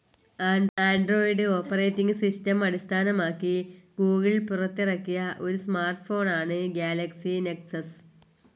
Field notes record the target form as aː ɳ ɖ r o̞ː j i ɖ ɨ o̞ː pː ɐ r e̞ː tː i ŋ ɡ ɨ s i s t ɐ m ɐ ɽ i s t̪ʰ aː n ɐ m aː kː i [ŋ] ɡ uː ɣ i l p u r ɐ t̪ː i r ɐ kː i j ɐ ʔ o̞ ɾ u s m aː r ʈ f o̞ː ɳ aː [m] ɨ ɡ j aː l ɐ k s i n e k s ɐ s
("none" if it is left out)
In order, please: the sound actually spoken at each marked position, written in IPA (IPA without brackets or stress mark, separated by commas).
none, ɳ